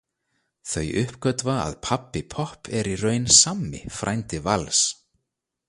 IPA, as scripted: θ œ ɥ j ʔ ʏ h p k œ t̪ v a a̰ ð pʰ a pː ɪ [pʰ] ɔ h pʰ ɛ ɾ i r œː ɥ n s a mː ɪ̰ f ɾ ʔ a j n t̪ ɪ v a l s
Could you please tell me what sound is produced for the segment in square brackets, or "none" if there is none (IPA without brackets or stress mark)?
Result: pʰ